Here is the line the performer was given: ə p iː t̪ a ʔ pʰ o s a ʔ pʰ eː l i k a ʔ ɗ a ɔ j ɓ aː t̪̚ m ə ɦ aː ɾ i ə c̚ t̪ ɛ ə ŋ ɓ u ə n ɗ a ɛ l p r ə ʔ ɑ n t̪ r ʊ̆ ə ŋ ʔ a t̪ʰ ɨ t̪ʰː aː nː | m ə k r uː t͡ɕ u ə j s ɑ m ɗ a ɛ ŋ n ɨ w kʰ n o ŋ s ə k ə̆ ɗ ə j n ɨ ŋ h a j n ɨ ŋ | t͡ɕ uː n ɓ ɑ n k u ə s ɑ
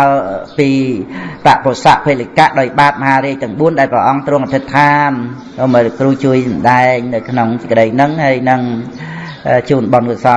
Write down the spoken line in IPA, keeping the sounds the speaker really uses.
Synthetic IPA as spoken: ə p iː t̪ a ʔ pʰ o s a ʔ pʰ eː l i k a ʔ ɗ a ɔ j ɓ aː t̪̚ m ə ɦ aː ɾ i ə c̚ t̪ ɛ ə ŋ ɓ u ə n ɗ a ɛ l p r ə ʔ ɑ ŋ t̪ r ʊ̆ ə ŋ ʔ a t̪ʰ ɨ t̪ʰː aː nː | m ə k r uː t͡ɕ u ə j s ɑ m ɗ a ɛ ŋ n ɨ w kʰ n o ŋ s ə k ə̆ ɗ ə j n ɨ ŋ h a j n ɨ ŋ | t͡ɕ uː n ɓ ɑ n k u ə s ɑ